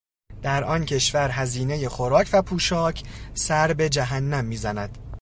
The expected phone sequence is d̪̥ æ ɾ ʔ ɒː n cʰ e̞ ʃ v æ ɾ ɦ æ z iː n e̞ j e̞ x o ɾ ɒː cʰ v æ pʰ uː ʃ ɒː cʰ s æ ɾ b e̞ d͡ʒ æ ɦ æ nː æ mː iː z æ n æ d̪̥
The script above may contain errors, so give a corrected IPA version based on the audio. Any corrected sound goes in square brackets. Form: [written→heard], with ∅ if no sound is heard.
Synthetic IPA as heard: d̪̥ æ ɾ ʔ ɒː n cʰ e̞ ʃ v æ ɾ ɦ æ z iː n e̞ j e̞ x o ɾ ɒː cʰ v æ pʰ uː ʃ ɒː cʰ s æ ɾ b e̞ d͡ʒ æ ɦ æ nː æ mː iː z æ n æ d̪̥